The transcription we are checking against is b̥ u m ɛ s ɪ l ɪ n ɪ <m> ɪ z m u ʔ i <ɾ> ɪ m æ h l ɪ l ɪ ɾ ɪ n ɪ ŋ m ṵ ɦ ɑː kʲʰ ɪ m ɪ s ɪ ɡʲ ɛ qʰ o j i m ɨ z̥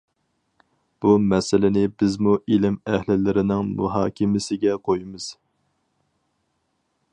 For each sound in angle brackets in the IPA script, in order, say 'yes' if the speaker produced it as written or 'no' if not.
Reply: no, no

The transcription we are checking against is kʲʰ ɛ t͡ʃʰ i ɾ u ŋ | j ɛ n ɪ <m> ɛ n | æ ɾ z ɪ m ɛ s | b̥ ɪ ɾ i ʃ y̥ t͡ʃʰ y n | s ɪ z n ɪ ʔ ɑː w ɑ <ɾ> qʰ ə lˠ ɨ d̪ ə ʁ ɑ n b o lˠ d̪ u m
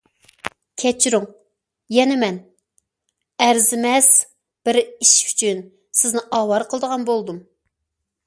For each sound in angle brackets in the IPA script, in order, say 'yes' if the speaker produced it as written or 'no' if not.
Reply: yes, yes

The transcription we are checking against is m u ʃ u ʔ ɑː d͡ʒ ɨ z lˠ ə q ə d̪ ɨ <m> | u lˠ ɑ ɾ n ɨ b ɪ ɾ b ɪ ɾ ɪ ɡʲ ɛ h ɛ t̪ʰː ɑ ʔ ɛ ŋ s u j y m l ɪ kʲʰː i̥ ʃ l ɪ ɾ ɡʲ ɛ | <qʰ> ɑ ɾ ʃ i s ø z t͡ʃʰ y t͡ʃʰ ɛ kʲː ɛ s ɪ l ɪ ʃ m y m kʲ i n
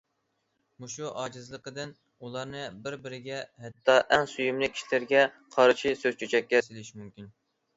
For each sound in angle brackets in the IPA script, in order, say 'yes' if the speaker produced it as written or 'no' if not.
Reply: no, yes

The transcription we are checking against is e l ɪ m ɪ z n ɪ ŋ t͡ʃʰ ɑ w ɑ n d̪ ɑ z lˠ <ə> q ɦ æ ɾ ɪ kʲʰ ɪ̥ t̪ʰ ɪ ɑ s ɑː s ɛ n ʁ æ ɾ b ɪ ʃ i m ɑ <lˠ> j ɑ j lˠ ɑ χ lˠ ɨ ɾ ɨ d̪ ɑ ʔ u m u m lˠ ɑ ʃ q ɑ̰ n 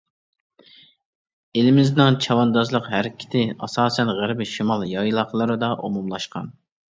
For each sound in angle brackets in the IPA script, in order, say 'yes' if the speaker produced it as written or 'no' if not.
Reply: yes, yes

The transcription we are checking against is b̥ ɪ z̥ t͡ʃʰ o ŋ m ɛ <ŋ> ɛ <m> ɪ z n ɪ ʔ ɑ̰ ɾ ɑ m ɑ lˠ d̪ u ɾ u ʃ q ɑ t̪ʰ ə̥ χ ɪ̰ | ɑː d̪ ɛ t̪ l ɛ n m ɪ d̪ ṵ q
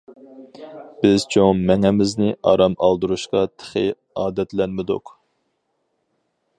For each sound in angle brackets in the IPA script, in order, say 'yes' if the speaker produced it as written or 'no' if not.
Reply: yes, yes

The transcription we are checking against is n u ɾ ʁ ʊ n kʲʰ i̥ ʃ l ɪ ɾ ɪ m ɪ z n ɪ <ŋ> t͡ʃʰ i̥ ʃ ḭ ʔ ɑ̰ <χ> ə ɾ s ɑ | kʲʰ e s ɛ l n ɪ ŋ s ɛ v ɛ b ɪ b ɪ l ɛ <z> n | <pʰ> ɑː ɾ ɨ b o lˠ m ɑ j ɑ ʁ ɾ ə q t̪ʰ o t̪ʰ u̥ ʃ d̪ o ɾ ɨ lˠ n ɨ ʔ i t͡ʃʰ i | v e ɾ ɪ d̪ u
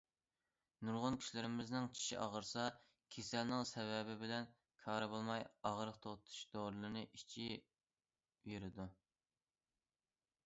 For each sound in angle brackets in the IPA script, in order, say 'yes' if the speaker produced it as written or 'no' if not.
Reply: yes, no, no, no

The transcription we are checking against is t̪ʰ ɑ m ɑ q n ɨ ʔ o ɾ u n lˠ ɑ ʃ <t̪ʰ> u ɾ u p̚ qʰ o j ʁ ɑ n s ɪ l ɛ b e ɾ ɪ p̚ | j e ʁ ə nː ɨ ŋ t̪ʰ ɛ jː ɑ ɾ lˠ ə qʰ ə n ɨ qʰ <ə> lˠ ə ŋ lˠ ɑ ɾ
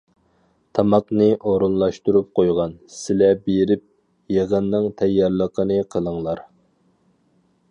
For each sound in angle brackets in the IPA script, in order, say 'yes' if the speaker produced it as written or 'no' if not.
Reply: no, yes

